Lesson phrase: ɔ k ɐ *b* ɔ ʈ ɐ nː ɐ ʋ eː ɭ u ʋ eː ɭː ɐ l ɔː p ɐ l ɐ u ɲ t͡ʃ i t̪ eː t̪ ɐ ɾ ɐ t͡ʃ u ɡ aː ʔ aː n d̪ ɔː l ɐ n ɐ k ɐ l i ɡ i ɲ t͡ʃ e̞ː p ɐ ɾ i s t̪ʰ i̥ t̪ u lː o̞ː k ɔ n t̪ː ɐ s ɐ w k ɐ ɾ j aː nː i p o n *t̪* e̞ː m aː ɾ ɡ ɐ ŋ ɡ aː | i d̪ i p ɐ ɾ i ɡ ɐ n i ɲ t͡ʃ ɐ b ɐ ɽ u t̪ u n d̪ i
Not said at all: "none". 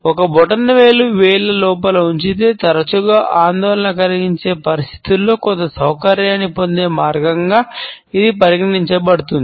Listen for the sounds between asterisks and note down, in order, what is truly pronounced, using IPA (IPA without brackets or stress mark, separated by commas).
b, d̪